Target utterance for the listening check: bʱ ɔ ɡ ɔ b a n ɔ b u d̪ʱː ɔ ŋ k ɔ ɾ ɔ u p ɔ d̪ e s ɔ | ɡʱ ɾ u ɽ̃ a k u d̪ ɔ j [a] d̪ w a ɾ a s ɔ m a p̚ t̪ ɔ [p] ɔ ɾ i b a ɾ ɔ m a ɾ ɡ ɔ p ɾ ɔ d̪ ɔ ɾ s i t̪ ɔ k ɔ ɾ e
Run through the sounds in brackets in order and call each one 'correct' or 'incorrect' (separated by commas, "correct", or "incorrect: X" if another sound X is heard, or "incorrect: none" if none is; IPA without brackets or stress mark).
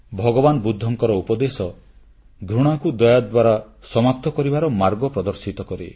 correct, incorrect: k